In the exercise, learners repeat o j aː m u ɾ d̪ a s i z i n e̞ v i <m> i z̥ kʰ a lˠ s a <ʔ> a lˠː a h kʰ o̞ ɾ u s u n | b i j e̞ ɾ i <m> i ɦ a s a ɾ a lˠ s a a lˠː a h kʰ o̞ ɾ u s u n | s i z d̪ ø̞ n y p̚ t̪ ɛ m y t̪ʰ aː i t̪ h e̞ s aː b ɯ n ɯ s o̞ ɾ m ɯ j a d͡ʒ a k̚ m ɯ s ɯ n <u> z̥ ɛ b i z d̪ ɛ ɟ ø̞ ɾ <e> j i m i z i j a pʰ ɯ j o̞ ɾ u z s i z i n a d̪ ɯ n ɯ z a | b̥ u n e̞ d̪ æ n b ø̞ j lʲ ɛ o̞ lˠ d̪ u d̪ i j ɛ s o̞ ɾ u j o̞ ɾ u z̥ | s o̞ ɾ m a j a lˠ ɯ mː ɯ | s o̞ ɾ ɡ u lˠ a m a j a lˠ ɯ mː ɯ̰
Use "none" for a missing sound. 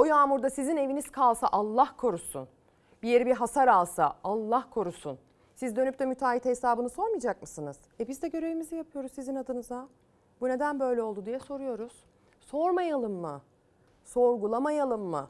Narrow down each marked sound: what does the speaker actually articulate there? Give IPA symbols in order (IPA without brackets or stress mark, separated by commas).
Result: n, ʔ, b, ɯ, e